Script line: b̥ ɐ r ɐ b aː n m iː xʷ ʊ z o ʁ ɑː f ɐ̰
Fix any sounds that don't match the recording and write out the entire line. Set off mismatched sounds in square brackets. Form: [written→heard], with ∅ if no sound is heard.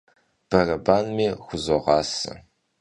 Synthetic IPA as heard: b̥ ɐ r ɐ b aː n m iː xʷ ʊ z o ʁ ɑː [f→s] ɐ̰